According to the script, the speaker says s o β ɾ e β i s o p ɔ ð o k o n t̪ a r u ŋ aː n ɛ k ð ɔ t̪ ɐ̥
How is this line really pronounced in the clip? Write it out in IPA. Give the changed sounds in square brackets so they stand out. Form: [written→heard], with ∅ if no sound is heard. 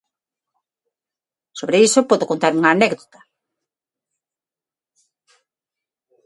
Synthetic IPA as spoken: s o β ɾ e [β→∅] i s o p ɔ ð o k o n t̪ a [r→ɾ] u ŋ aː n ɛ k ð [ɔ→o] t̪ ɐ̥